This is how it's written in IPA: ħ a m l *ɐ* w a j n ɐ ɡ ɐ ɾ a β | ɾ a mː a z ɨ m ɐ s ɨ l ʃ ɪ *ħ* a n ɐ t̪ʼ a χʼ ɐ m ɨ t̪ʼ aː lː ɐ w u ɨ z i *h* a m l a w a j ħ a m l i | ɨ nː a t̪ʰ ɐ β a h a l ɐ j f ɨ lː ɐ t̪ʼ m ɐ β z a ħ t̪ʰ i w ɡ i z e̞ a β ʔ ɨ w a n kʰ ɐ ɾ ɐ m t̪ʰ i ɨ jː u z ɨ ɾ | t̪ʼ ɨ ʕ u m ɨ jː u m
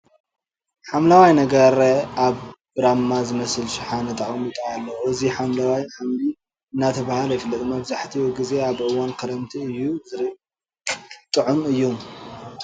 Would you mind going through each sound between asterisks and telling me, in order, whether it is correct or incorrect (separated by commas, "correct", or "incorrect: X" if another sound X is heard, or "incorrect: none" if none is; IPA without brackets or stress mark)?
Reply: incorrect: a, correct, incorrect: ħ